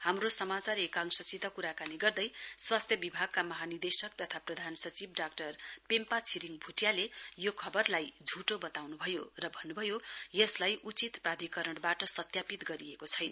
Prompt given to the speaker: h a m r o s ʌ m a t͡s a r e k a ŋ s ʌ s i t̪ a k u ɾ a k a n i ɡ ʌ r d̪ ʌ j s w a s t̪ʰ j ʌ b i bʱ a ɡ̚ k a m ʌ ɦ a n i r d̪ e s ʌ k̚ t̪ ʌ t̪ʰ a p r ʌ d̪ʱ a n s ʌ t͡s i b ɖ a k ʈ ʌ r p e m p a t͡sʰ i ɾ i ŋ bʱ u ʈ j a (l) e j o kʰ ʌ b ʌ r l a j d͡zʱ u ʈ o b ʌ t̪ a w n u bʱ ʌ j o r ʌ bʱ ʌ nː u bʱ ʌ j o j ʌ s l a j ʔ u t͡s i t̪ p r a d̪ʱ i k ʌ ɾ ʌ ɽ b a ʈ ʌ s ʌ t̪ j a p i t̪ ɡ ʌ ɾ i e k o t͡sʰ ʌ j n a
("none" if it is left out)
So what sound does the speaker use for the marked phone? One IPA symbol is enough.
l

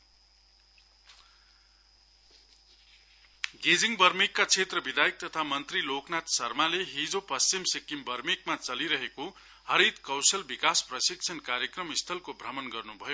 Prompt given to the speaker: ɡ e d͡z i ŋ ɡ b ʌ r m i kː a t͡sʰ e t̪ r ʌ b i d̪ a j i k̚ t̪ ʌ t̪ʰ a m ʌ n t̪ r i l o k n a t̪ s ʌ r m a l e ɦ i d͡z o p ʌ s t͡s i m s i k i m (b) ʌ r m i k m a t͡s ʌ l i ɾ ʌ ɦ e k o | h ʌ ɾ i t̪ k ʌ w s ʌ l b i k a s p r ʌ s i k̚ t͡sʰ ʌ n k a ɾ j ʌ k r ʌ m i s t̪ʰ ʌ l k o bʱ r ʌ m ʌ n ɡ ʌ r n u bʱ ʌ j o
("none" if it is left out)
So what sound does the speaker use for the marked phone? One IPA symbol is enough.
b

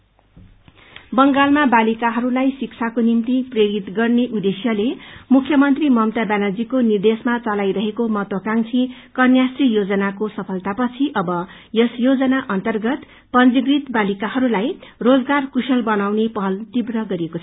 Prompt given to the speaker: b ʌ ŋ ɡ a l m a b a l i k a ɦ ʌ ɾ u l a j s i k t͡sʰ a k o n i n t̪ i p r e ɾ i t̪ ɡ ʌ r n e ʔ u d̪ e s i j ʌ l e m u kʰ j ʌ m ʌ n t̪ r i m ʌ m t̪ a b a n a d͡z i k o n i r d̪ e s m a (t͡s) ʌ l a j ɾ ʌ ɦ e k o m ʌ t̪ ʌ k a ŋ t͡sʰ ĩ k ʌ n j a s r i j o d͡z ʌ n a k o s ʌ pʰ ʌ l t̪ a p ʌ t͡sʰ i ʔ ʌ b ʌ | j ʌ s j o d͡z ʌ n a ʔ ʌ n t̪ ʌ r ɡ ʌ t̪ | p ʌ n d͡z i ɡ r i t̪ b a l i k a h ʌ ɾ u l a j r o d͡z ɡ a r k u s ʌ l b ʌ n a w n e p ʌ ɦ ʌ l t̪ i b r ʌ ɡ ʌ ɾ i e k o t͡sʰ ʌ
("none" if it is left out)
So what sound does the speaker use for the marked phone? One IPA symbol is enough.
t͡s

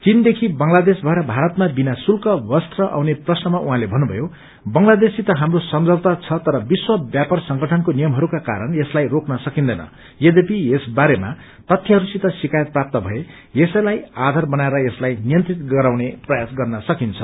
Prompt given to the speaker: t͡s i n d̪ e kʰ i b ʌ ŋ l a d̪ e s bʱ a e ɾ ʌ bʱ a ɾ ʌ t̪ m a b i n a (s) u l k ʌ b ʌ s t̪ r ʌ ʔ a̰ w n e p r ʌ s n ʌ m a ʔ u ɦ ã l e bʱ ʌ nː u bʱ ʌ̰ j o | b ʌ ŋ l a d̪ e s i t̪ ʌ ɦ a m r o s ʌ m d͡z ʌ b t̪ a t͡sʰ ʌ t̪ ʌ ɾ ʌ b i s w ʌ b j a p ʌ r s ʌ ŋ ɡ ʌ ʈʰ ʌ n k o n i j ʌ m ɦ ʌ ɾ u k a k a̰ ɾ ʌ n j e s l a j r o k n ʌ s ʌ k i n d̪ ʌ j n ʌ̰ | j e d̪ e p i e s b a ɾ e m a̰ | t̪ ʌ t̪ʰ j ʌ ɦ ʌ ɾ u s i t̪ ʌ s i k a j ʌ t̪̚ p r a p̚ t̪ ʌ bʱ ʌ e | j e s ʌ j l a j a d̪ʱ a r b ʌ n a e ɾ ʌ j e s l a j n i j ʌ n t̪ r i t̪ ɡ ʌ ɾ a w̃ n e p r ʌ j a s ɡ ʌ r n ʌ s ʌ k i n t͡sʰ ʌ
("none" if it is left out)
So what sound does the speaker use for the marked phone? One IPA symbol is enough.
s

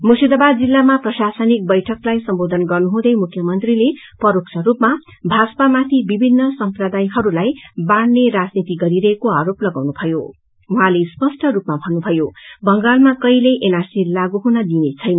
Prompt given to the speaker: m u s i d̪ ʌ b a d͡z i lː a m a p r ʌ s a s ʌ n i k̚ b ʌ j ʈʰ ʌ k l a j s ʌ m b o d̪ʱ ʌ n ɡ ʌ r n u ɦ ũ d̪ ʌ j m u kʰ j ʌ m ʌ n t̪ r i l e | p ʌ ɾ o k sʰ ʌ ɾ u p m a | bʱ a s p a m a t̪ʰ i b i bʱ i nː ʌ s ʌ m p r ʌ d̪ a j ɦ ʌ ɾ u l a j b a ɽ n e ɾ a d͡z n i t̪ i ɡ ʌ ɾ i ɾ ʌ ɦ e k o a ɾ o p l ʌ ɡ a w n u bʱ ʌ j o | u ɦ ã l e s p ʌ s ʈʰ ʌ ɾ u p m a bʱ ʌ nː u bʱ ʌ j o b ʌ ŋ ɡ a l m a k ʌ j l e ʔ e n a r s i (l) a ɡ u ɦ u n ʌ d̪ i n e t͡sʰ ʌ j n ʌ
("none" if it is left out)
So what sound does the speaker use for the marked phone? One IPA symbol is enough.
l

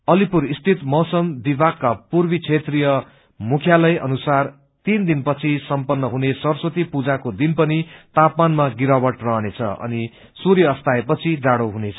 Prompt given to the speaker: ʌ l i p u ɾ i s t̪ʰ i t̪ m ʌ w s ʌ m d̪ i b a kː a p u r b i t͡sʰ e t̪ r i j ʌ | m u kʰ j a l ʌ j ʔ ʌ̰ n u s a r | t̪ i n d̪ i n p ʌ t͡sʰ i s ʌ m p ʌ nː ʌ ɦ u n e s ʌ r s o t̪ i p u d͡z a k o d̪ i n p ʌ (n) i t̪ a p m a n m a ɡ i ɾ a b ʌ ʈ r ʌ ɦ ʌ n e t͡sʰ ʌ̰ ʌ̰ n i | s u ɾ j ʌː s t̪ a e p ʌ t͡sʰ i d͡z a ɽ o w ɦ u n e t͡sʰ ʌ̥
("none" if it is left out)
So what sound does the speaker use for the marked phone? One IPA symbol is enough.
n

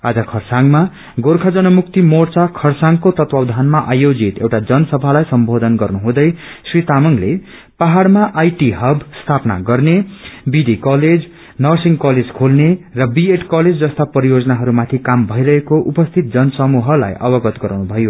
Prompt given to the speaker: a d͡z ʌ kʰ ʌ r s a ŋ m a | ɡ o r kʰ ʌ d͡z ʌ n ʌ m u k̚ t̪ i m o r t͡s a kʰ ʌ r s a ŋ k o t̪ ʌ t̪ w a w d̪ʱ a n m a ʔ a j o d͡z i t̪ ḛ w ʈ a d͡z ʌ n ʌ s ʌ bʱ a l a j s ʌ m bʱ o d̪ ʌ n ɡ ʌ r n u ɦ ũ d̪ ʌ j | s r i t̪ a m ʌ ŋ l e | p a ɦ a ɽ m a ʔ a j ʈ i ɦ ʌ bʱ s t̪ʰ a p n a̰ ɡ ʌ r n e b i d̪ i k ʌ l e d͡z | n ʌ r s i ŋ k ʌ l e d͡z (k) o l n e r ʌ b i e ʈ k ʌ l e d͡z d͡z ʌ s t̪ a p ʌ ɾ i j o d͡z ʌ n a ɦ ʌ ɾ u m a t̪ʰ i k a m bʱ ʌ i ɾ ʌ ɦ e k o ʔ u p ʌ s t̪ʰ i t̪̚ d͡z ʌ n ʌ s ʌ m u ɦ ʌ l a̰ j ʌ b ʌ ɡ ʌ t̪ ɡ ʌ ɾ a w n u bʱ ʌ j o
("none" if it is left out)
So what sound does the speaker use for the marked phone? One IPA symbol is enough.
kʰ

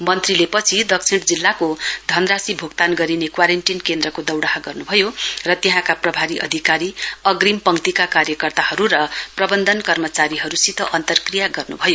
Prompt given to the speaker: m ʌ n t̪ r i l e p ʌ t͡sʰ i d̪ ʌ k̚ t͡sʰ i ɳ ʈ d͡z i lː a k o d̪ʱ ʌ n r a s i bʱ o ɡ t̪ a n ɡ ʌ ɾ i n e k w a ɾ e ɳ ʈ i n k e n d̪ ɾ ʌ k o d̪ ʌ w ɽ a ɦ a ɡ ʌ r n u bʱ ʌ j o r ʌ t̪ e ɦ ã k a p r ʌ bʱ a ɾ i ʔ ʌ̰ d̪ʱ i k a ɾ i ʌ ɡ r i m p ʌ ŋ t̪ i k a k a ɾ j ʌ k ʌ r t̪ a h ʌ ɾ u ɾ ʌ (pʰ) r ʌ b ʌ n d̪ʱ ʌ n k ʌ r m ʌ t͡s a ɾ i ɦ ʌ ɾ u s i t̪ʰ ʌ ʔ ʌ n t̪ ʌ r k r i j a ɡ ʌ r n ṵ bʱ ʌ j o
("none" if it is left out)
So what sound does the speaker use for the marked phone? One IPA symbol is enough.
p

